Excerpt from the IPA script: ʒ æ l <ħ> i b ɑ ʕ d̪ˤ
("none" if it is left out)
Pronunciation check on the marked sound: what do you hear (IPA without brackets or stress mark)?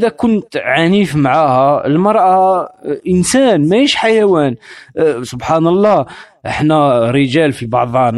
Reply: f